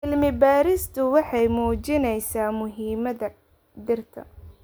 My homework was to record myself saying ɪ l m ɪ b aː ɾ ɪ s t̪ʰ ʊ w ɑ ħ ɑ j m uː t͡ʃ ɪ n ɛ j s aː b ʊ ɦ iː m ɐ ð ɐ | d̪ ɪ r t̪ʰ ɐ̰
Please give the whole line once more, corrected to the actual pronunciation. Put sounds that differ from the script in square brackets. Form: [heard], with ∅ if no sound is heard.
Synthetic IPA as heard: ɪ l m ɪ b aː ɾ ɪ s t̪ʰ ʊ w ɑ ħ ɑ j m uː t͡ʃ ɪ n ɛ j s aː [m] ʊ ɦ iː m ɐ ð ɐ | d̪ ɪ r t̪ʰ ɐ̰